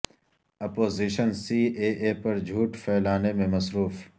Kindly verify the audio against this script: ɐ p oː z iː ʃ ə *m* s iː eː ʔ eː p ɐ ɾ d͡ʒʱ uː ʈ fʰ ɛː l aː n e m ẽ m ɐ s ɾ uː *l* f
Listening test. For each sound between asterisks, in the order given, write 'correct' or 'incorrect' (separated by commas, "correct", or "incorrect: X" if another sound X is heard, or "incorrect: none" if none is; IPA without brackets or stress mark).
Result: incorrect: n, incorrect: none